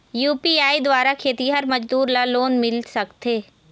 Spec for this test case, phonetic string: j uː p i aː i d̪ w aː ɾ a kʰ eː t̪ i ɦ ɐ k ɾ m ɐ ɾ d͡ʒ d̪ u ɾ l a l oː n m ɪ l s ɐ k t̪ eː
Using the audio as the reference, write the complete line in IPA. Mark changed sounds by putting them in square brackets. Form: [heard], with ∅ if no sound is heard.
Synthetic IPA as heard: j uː p i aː i d̪ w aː ɾ a kʰ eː t̪ i ɦ ɐ [∅] ɾ m ɐ [∅] d͡ʒ d̪ [uː] ɾ l a l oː n m ɪ l s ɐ k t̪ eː